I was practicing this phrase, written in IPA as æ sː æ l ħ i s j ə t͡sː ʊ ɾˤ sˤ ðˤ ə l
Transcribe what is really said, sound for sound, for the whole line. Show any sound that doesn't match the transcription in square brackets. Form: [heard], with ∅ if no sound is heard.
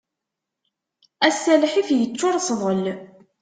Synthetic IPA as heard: æ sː æ l ħ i [f] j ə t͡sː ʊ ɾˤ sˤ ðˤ ə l